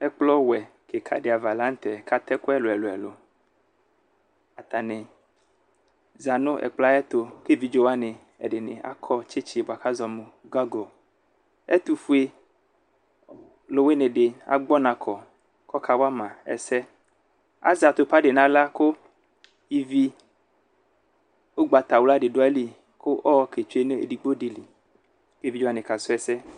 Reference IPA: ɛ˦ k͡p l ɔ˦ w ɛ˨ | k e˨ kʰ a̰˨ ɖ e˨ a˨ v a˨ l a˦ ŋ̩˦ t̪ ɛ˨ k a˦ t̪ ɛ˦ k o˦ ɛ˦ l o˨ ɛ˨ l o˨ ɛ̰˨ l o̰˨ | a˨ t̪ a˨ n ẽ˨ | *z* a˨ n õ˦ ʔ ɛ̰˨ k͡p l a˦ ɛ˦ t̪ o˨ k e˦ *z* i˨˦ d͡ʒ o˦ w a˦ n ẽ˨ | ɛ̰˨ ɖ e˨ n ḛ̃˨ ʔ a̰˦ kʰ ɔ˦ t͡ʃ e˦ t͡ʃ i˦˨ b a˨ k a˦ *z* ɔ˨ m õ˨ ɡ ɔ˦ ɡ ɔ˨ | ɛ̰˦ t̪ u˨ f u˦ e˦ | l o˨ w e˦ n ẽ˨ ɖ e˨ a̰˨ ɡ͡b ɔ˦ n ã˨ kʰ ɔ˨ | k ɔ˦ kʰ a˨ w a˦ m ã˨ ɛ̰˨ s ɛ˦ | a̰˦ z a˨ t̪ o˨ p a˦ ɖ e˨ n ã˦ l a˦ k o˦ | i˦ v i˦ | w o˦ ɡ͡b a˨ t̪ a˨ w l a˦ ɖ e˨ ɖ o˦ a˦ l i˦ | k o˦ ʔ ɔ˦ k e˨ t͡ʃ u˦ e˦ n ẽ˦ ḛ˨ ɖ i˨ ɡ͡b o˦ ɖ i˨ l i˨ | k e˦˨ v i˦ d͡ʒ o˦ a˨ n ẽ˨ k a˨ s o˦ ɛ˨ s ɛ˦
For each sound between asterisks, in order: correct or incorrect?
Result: correct, incorrect, correct

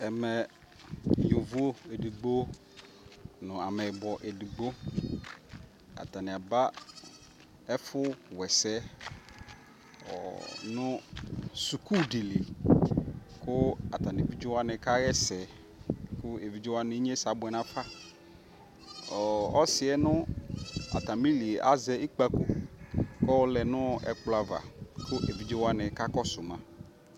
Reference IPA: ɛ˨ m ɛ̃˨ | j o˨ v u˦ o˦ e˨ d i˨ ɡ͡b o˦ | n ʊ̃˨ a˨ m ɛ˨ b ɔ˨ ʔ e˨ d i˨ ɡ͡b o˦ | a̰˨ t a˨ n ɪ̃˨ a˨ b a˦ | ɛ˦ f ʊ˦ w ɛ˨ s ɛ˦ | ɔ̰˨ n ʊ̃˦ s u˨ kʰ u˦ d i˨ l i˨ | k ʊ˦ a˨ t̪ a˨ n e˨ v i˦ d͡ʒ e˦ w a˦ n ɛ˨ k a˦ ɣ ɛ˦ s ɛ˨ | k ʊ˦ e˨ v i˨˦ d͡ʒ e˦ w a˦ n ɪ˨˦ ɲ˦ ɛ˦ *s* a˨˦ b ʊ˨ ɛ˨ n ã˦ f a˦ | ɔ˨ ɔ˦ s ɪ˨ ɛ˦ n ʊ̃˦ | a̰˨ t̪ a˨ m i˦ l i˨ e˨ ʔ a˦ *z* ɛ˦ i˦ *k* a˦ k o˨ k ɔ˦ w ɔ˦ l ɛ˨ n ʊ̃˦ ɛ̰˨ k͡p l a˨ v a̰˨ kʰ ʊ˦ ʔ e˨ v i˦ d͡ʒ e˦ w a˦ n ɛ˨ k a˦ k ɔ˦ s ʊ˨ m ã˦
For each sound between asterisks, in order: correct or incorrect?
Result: correct, correct, incorrect

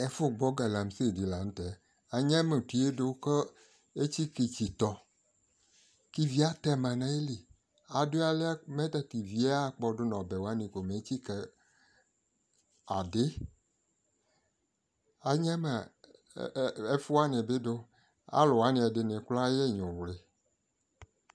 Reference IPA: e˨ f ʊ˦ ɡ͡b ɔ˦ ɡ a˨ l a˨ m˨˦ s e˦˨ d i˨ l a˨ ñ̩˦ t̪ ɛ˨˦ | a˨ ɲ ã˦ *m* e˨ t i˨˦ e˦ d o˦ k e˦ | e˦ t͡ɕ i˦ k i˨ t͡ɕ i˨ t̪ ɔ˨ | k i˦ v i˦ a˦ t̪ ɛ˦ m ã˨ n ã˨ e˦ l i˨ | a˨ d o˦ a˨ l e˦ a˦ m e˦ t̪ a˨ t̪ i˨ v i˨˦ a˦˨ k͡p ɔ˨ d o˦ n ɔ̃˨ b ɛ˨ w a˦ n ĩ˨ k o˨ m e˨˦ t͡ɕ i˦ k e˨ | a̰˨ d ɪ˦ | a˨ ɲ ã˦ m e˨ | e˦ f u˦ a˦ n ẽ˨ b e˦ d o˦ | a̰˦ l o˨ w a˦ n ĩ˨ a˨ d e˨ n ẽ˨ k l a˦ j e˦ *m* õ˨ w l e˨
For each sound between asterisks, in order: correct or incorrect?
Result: correct, incorrect

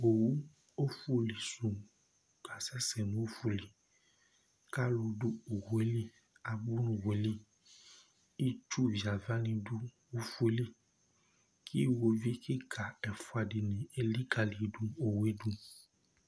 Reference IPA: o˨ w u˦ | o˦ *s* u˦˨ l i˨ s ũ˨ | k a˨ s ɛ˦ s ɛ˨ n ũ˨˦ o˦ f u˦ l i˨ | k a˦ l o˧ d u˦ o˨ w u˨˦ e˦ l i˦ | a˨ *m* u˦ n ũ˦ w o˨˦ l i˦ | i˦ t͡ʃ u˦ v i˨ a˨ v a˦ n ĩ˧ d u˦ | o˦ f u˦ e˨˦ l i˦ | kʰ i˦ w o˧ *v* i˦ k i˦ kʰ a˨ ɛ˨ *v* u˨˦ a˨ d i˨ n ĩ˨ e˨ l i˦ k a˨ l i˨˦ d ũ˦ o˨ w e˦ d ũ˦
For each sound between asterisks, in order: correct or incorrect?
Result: incorrect, incorrect, correct, incorrect

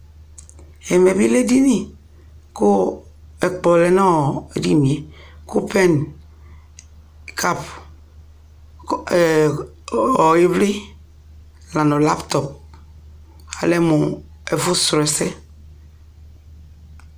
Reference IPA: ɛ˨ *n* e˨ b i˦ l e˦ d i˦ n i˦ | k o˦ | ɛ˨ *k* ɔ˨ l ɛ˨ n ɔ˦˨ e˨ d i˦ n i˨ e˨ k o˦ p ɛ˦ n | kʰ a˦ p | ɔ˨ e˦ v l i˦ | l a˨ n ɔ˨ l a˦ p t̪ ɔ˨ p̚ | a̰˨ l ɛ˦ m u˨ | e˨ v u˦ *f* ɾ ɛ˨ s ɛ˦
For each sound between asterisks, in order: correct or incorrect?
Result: incorrect, incorrect, incorrect

